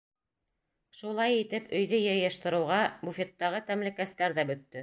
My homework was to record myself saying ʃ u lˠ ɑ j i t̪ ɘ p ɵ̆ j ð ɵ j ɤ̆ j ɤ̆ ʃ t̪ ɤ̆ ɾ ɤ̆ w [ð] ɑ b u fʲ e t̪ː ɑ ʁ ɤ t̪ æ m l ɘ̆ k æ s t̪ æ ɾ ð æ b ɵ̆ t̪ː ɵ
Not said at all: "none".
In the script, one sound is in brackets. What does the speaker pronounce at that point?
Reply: ʁ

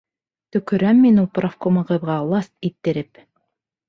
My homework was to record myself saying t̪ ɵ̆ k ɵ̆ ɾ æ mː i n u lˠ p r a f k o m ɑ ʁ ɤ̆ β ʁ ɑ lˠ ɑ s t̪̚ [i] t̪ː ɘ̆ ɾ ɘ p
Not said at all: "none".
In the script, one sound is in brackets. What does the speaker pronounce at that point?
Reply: i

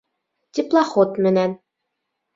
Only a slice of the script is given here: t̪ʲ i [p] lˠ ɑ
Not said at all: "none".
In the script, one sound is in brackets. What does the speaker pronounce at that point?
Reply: p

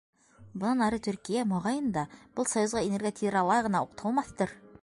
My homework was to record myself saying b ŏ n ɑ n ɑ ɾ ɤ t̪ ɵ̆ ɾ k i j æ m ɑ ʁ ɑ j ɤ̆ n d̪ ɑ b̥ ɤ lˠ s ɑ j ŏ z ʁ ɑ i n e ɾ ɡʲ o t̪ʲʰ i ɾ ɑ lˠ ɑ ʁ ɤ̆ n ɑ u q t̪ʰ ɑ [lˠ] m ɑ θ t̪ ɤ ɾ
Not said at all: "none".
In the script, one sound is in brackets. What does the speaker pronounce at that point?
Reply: lˠ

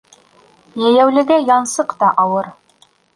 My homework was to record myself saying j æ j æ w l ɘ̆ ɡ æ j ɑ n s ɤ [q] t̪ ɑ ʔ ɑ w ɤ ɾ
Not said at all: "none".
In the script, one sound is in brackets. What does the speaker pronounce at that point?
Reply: q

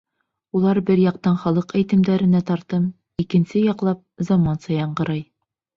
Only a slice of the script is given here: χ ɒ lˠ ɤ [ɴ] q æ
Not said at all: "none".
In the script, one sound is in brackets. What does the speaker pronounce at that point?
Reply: none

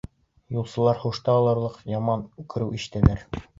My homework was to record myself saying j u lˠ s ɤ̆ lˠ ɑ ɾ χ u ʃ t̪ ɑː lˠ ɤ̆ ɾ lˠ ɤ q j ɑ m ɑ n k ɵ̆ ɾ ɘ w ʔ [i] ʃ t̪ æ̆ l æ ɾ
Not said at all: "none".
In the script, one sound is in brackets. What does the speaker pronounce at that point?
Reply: i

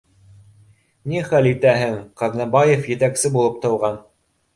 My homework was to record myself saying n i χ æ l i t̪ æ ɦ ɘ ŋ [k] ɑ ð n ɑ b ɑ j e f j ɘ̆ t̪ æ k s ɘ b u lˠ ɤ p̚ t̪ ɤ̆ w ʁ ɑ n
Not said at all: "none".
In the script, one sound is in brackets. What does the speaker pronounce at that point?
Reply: q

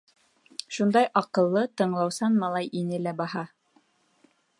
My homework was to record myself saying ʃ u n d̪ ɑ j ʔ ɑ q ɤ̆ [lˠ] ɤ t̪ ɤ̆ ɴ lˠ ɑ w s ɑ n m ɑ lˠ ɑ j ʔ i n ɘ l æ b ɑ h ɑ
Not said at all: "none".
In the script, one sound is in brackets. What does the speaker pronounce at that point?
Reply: lˠː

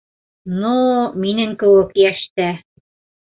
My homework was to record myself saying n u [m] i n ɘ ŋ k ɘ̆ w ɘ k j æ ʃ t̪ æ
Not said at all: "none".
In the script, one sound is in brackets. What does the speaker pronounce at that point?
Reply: m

